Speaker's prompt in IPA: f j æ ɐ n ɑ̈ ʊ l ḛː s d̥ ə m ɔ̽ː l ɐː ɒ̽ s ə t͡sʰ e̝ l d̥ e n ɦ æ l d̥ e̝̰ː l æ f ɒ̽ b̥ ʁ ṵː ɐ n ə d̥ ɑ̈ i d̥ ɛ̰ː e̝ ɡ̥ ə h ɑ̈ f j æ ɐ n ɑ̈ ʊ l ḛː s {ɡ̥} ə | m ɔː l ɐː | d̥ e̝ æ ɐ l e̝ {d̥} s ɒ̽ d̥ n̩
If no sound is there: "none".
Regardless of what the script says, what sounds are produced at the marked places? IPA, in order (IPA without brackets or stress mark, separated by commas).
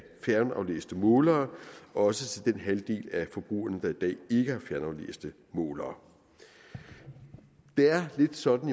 d̥, d̥